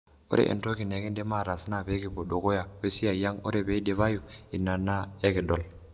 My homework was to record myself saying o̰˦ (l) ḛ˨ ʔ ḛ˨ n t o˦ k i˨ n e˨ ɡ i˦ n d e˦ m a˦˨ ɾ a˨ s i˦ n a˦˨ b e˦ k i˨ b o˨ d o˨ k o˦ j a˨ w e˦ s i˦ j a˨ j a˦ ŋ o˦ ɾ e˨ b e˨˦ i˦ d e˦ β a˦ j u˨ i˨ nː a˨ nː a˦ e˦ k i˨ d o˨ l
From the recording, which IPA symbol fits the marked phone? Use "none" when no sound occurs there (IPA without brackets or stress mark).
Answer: ɾ